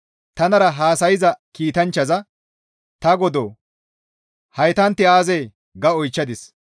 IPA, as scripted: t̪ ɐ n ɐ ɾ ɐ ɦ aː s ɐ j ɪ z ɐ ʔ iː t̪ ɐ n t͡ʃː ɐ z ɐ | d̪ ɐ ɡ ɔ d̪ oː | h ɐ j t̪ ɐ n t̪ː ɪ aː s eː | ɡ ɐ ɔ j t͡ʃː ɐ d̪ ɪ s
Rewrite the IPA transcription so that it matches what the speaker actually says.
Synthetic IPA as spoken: t̪ ɐ n ɐ ɾ ɐ ɦ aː s ɐ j ɪ z ɐ k iː t̪ ɐ n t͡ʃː ɐ z ɐ | t̪ ɐ ɡ ɔ d̪ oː | h ɐ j t̪ ɐ n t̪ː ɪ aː z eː | ɡ ɐ ɔ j t͡ʃː ɐ d̪ ɪ s